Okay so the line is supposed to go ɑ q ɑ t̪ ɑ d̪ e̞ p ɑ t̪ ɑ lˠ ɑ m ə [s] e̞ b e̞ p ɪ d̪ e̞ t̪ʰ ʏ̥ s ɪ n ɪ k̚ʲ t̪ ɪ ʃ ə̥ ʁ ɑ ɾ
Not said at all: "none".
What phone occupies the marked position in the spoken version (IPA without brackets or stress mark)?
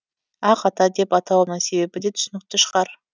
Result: s